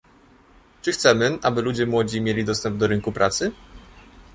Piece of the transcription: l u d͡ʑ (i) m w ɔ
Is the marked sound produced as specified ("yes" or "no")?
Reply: no